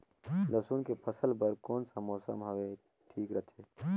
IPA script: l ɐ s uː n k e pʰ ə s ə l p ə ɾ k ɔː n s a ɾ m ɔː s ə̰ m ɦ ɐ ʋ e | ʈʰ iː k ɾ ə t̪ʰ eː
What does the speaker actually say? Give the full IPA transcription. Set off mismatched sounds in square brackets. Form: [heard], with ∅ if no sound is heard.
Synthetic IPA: l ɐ s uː n k e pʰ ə s ə l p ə ɾ k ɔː n s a [∅] m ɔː s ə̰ m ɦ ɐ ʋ e | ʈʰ iː k ɾ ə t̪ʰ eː